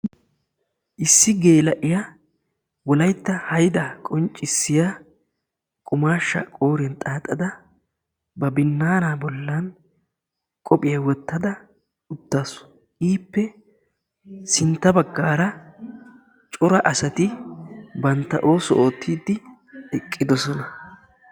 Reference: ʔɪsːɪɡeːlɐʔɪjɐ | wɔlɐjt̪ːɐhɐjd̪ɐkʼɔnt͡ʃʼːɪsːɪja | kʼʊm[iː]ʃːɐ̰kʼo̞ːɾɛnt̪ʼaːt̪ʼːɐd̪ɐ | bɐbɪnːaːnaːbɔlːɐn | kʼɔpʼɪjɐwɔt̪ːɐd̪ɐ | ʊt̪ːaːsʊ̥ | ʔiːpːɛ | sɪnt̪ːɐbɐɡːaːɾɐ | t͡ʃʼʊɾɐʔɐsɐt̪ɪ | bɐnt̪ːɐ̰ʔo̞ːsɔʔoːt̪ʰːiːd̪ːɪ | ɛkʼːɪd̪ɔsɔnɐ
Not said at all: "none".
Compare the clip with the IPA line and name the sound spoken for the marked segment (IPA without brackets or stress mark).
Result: aː